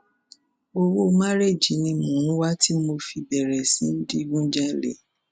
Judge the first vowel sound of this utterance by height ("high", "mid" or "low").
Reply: mid